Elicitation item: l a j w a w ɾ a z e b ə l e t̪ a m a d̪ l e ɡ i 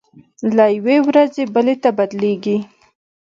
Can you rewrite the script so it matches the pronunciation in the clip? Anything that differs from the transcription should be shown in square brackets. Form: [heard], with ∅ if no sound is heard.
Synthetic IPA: l a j w [e] w ɾ a z e b ə l e t̪ a [b] a d̪ l e ɡ i